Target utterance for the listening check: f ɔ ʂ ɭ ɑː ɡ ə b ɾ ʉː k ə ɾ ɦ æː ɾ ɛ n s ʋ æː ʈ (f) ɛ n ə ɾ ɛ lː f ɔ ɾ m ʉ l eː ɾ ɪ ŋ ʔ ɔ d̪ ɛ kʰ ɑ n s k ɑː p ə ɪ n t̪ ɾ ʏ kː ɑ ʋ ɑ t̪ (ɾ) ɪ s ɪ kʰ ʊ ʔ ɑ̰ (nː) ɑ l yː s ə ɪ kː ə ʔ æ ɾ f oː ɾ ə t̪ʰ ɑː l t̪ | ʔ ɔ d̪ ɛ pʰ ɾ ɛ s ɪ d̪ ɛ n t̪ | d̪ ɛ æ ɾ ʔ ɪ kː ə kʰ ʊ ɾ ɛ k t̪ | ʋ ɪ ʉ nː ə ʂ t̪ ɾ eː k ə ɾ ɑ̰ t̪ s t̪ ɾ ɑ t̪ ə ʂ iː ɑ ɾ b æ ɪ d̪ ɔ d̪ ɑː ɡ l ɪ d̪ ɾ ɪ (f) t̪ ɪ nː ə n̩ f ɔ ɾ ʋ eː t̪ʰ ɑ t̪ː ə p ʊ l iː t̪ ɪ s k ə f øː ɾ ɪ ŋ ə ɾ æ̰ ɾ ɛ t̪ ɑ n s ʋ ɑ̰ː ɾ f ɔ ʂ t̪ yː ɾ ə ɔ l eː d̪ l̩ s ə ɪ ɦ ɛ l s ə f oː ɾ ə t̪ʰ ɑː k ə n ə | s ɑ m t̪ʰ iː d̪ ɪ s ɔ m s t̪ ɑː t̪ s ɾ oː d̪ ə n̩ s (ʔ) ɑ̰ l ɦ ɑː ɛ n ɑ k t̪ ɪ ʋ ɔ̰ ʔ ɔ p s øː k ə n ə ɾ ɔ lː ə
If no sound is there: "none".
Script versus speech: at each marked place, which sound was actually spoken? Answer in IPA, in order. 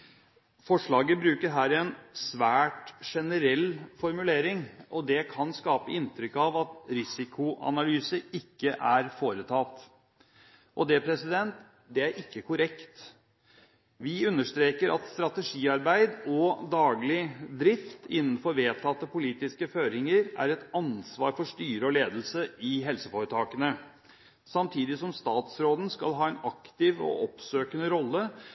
ʂ, ɾ, n, f, k

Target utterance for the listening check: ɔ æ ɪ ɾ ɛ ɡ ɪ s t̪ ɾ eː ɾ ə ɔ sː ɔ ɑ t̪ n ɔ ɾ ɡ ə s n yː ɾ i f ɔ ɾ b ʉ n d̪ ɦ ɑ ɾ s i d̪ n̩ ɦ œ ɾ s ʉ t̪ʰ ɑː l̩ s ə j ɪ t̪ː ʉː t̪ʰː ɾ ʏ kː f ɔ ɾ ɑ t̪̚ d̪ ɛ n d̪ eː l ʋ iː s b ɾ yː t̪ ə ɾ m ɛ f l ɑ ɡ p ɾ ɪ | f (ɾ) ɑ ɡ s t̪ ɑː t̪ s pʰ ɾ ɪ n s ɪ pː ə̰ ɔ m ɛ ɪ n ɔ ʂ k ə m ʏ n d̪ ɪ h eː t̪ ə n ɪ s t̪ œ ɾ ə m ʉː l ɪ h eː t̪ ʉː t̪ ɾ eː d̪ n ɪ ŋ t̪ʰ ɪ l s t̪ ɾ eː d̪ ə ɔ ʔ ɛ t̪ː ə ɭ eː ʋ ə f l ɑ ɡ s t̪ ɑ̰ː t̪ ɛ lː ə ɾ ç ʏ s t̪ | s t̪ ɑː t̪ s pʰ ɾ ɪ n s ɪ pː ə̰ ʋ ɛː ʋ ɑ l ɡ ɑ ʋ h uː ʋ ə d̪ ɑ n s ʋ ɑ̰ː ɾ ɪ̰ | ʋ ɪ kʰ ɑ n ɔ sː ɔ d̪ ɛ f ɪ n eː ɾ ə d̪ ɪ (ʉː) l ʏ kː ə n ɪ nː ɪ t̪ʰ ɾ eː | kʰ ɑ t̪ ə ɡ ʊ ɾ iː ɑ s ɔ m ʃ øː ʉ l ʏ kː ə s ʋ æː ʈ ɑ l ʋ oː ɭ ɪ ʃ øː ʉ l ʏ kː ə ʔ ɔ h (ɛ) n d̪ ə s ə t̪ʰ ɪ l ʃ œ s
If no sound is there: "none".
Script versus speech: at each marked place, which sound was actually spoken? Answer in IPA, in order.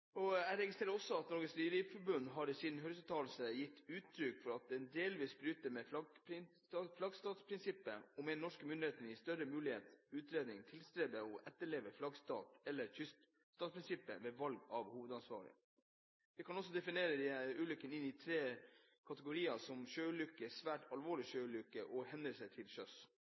l, ʉː, ɛ

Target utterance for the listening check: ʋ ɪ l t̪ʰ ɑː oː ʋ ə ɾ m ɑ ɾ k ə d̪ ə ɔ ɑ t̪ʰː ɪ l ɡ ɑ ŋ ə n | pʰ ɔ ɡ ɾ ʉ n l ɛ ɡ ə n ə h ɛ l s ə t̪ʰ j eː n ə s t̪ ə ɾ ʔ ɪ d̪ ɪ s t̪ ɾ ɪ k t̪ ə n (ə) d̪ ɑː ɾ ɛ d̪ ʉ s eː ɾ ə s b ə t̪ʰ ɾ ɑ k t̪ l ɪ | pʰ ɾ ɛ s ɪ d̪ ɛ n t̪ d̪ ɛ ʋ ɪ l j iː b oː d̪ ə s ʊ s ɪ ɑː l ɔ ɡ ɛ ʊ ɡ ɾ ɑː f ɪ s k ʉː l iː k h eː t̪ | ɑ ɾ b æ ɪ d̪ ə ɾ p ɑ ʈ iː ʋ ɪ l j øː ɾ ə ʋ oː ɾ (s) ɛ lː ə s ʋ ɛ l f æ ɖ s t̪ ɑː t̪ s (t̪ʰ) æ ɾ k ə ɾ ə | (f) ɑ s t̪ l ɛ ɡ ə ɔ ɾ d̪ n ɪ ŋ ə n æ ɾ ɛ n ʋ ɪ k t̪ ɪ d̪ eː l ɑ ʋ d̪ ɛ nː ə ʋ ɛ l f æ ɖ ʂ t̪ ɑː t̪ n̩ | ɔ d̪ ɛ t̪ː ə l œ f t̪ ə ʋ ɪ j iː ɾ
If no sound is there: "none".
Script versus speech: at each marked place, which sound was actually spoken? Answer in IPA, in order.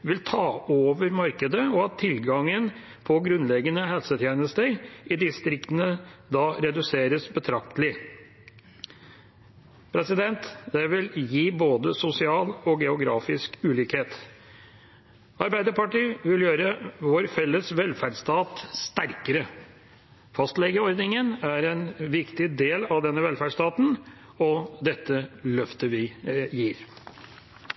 ə, f, t̪, f

